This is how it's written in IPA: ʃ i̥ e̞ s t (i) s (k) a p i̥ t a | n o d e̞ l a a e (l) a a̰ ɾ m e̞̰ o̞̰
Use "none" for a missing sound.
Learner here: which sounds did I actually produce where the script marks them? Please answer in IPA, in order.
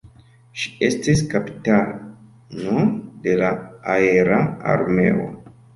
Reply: i, k, ɾ

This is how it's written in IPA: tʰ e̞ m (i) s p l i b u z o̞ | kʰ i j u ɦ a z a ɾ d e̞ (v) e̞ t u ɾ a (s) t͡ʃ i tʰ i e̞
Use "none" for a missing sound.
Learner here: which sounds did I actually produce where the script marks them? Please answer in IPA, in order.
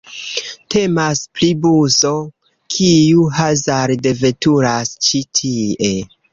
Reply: a, v, s

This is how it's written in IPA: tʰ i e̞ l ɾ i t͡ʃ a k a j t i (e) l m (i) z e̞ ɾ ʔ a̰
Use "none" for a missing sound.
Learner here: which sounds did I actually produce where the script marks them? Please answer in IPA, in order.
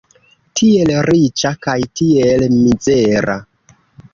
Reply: e, i

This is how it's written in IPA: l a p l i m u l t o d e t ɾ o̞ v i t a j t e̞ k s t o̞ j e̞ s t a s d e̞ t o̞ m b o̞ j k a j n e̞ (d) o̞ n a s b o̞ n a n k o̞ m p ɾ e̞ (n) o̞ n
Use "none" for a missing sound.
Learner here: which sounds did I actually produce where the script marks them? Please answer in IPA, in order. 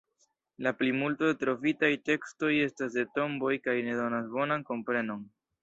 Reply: d, n

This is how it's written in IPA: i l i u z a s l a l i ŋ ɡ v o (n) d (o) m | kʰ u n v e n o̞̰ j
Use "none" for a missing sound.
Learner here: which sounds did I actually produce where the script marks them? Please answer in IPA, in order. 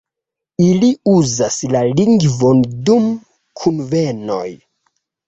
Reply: n, u

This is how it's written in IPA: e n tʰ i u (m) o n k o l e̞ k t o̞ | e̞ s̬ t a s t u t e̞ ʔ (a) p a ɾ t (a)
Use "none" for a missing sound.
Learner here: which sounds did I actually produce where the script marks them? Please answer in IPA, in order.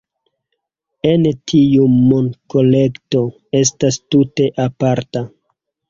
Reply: m, a, a

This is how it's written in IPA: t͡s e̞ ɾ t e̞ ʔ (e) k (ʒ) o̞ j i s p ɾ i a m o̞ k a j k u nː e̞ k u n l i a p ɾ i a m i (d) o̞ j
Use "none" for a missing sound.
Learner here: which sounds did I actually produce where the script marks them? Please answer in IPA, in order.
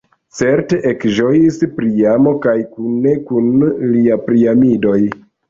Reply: e, ʒ, d

